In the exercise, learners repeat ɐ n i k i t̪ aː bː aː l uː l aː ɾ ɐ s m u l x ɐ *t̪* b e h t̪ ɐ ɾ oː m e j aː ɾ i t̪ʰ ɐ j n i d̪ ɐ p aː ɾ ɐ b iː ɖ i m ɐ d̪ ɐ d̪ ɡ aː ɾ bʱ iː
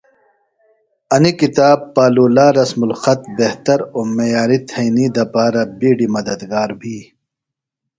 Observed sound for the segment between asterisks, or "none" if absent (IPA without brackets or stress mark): t̪